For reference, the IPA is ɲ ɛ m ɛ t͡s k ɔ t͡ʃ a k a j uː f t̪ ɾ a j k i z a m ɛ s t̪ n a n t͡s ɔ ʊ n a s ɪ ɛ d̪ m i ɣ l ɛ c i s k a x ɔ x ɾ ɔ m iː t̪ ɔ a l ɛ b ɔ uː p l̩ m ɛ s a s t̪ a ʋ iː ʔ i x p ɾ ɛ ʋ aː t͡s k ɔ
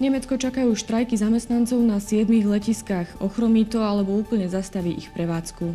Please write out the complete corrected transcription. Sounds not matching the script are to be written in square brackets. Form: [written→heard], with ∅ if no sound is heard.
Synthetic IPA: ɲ ɛ m ɛ t͡s k ɔ t͡ʃ a k a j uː [f→ʃ] t̪ ɾ a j k i z a m ɛ s t̪ n a n t͡s ɔ ʊ n a s ɪ ɛ d̪ m i ɣ l ɛ c i s k a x ɔ x ɾ ɔ m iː t̪ ɔ a l ɛ b ɔ uː p l̩ [m→ɲ] ɛ [s→z] a s t̪ a ʋ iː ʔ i x p ɾ ɛ ʋ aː t͡s k [ɔ→u]